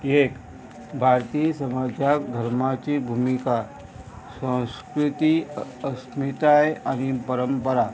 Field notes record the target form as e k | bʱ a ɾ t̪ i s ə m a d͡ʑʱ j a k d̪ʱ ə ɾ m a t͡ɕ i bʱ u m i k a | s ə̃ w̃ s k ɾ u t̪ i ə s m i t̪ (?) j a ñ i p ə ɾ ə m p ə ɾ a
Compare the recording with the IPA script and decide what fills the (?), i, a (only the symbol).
a